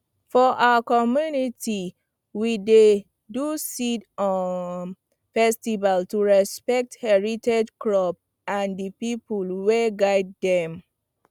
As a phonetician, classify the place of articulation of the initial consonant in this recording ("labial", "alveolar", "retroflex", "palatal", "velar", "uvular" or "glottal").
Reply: labial